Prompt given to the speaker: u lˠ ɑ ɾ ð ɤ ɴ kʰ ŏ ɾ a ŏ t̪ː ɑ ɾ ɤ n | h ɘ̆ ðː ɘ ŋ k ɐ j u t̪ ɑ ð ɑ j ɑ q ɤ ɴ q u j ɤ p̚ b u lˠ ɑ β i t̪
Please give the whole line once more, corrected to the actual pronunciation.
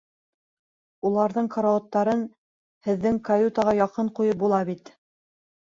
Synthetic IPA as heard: u lˠ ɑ ɾ ð ɤ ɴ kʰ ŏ ɾ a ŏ t̪ː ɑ ɾ ɤ n | h ɘ̆ ðː ɘ ŋ k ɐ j u t̪ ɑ ʁ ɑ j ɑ q ɤ ɴ q u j ɤ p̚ b u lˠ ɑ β i t̪